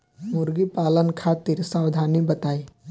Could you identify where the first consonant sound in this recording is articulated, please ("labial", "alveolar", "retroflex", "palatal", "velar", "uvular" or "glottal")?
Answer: labial